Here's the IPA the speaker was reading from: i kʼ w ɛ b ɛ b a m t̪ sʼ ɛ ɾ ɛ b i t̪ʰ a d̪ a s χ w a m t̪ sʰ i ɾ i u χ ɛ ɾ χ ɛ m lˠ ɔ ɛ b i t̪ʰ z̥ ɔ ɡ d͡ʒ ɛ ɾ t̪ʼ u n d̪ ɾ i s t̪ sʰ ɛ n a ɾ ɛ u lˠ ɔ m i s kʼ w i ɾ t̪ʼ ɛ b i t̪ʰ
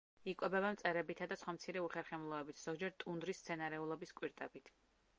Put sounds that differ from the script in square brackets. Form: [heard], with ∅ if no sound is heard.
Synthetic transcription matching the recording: i kʼ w ɛ b ɛ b a m t̪ sʼ ɛ ɾ ɛ b i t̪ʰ a d̪ a s χ w a m t̪ sʰ i ɾ [ɛ] u χ ɛ ɾ χ ɛ m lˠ ɔ ɛ b i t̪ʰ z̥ ɔ ɡ d͡ʒ ɛ ɾ t̪ʼ u n d̪ ɾ i s t̪ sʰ ɛ n a ɾ ɛ u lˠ ɔ [b] i s kʼ w i ɾ t̪ʼ ɛ b i t̪ʰ